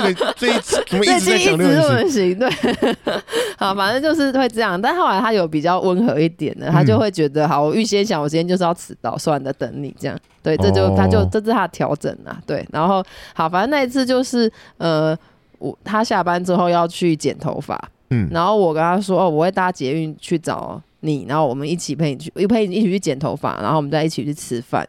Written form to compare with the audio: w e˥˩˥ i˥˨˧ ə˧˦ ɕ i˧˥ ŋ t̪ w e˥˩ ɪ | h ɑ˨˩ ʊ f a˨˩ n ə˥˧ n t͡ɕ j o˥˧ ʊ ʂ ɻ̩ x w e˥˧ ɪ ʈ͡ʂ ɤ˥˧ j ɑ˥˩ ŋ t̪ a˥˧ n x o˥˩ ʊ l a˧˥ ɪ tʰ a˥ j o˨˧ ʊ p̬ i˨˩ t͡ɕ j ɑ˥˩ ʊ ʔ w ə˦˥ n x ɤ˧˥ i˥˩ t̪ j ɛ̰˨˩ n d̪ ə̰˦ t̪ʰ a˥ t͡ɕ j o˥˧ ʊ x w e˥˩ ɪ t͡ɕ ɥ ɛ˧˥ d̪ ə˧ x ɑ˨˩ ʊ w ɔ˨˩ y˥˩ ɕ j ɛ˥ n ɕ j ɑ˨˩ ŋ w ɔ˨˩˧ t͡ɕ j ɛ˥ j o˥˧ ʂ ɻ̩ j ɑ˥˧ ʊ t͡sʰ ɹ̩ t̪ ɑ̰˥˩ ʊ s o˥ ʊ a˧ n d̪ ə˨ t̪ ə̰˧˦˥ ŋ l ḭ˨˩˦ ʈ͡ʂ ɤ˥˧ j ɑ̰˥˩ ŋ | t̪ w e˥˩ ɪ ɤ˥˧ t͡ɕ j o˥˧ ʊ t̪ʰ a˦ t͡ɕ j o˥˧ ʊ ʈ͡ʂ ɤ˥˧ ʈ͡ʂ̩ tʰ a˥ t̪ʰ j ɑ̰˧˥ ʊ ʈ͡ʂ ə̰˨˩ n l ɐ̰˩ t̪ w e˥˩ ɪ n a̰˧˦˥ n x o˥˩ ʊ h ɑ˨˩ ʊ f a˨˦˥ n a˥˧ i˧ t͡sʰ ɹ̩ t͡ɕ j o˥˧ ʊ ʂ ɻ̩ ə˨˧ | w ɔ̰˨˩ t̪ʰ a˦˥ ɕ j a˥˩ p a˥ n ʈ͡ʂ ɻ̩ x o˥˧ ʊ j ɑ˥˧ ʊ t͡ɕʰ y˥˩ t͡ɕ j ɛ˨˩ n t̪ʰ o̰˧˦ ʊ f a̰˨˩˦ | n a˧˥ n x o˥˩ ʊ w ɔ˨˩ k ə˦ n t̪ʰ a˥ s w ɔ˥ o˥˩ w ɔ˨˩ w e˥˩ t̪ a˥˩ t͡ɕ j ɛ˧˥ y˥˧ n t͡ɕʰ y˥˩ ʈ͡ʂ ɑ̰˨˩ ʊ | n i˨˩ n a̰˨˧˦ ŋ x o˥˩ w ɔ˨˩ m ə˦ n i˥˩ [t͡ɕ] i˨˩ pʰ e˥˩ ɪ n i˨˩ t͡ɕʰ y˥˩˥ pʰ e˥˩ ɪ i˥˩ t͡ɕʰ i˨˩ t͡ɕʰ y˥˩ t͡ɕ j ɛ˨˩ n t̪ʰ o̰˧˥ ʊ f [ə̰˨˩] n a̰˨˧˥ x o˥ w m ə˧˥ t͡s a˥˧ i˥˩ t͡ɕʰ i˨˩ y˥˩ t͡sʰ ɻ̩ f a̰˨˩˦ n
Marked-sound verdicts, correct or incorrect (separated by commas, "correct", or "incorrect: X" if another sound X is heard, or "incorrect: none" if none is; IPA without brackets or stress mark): incorrect: t͡ɕʰ, incorrect: a̰˨˩